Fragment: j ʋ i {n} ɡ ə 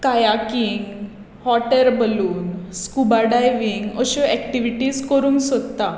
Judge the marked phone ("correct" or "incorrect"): incorrect